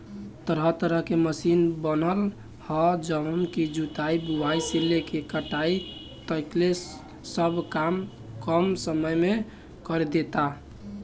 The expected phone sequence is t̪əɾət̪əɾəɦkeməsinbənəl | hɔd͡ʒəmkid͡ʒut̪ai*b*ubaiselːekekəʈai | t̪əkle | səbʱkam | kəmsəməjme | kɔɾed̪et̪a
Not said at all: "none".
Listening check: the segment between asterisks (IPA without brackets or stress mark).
b